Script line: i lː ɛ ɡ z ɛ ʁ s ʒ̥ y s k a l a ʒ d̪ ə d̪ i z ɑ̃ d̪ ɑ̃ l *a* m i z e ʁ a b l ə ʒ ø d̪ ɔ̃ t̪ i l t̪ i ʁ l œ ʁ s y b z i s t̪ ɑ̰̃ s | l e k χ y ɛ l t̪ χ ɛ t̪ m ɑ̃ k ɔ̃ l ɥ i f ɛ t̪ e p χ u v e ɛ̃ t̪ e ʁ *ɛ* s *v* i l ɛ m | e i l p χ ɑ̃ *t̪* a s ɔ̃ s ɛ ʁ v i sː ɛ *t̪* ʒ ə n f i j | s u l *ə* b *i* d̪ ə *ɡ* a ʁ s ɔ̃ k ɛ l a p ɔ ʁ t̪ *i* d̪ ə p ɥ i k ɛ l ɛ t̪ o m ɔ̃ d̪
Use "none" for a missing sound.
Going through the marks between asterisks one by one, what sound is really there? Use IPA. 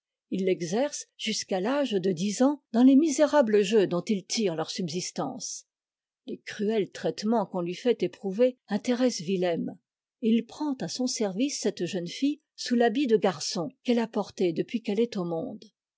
e, ɛ, v, t̪, t̪, a, i, ɡ, e

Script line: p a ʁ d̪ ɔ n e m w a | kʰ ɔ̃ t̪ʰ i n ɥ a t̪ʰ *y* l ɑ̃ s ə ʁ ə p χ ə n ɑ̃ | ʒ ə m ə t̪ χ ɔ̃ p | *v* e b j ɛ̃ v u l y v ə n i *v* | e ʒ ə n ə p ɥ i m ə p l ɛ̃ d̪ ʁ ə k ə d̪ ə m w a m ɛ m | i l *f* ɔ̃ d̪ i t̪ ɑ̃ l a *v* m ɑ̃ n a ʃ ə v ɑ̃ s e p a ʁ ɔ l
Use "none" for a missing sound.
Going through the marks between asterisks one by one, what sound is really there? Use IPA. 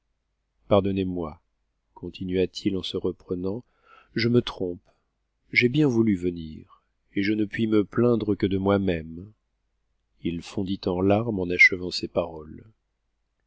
i, ʒ, ʁ, f, ʁ

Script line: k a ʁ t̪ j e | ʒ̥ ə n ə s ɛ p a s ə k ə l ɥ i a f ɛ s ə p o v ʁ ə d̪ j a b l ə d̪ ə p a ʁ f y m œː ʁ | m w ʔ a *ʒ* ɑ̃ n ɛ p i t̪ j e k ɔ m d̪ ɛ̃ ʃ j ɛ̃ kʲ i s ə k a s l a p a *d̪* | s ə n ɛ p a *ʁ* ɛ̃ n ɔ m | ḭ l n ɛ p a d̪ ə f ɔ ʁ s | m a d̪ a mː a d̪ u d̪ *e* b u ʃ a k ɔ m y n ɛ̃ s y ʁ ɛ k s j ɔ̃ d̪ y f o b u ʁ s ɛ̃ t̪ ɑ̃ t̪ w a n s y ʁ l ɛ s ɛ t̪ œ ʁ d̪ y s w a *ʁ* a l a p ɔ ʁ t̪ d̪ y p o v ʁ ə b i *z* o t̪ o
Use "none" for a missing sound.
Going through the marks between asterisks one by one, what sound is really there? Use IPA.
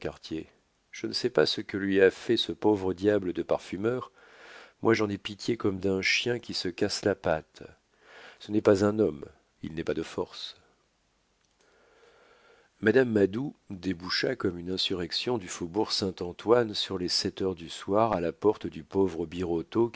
ʒ, t̪, z, e, ʁ, ʁ

